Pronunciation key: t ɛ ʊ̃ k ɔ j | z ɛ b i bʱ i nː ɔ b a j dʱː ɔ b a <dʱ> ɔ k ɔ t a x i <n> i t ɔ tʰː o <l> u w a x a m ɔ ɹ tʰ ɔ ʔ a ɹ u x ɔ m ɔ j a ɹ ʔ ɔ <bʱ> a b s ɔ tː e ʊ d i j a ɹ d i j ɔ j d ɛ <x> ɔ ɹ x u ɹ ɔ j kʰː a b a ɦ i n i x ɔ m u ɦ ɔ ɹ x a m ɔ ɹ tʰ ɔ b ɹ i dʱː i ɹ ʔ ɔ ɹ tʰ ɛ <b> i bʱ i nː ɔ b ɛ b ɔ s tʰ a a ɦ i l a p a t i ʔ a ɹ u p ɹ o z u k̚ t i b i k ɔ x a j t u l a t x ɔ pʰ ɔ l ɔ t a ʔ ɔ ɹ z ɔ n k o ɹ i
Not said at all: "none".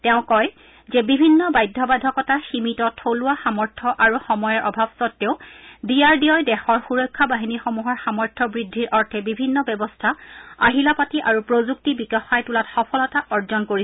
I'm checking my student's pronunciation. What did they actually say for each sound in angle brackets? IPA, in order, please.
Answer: dʱ, m, l, bʱ, x, b

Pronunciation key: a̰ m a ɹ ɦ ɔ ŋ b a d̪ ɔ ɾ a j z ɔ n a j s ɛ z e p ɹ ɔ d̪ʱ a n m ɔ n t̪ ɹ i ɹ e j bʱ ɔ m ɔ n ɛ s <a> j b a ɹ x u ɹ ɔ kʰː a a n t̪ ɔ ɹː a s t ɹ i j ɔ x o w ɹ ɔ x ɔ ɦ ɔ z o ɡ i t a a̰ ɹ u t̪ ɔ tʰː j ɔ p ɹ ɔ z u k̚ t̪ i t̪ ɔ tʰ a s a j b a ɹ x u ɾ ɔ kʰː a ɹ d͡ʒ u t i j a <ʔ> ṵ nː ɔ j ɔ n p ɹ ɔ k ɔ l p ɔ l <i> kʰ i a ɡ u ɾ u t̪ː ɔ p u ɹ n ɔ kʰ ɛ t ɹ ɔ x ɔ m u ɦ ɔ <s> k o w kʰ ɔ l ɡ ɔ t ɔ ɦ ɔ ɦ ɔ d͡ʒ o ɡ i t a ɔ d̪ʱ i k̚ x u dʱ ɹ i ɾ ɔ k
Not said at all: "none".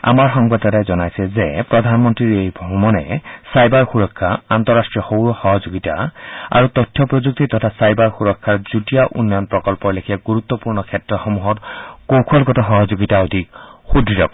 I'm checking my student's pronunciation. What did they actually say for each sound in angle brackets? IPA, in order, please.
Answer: a, ʔ, e, t

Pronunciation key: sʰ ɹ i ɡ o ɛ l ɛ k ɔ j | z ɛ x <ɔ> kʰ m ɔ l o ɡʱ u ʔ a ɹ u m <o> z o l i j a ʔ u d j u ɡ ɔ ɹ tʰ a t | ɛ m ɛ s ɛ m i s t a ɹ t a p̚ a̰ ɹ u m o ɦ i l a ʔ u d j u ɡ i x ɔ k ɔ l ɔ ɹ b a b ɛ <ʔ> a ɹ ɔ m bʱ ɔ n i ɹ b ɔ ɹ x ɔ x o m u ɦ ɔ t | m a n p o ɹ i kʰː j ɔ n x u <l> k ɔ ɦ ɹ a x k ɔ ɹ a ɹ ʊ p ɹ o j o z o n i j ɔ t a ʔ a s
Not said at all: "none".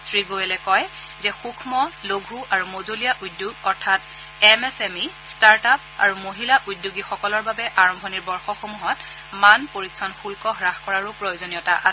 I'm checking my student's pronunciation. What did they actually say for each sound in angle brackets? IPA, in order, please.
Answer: u, o, ʔ, l

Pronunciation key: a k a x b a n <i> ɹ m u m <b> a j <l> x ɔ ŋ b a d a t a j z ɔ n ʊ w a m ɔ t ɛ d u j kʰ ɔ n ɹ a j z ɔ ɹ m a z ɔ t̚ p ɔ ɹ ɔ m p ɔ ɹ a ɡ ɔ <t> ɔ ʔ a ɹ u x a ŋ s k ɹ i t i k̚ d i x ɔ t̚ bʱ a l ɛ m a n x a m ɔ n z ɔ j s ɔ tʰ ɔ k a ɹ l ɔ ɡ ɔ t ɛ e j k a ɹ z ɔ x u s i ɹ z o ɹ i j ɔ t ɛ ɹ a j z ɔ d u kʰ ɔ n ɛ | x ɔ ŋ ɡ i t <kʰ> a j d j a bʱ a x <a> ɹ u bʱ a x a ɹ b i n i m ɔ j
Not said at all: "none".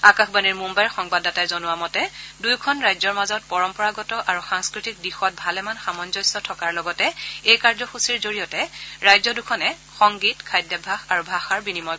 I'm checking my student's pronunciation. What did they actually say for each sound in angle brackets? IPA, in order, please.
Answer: i, b, ɹ, t, kʰ, a

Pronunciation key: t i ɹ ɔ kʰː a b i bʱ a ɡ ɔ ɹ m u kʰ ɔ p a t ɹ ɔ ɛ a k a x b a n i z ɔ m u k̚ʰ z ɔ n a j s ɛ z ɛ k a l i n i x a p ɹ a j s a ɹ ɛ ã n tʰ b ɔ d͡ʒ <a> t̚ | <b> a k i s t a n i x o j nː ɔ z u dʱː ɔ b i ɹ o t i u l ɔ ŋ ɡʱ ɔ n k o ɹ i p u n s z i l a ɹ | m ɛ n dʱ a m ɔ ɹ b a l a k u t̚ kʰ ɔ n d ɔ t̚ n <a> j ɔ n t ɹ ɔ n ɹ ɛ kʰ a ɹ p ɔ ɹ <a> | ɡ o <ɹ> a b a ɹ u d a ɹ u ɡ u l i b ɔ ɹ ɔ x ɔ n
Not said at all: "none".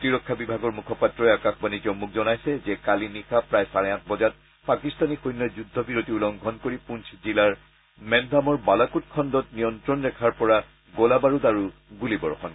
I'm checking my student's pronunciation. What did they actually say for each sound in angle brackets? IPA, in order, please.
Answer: a, p, i, a, l

